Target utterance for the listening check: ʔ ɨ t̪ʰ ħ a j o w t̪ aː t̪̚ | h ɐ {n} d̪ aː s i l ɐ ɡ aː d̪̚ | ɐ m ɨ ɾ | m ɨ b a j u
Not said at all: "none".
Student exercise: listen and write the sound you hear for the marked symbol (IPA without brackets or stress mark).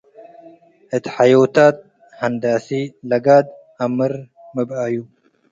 n